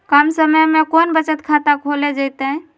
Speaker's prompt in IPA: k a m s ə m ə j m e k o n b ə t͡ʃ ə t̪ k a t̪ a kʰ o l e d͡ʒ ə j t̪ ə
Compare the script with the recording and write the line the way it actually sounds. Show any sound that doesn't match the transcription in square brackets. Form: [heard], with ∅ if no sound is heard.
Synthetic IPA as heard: k a m s ə m ə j m e k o n b ə t͡ʃ ə t̪ [kʰ] a t̪ a kʰ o l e d͡ʒ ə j t̪ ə